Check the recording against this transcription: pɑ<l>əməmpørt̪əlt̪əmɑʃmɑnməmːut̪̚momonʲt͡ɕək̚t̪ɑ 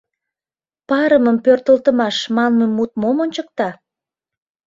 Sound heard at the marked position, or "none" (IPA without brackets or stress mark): ɾ